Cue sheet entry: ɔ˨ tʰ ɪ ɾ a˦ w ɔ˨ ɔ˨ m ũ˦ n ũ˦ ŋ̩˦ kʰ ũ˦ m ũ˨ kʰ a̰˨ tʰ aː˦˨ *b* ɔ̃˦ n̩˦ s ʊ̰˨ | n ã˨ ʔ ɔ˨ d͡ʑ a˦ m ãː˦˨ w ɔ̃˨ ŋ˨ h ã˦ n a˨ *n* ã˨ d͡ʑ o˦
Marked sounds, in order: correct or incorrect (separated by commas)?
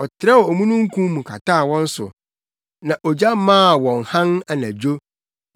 incorrect, correct